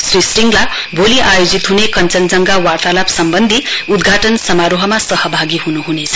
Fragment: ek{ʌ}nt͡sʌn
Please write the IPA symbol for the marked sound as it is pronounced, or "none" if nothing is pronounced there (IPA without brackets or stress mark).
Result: ʌ